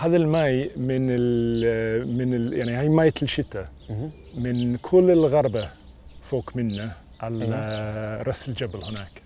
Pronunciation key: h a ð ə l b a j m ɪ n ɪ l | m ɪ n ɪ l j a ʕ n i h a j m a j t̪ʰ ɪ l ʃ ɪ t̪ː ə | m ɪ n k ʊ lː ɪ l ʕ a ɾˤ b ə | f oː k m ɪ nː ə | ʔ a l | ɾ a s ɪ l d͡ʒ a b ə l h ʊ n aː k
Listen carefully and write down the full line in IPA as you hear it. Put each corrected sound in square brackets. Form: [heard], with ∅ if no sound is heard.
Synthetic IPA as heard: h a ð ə l [m] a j m ɪ n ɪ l | m ɪ n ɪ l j a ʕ n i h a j m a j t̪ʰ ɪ l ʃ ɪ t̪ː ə | m ɪ n [kʰ] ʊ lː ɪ l [ɣ] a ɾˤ b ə | f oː k m ɪ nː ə | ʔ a l | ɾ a s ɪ l d͡ʒ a b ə l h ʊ n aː k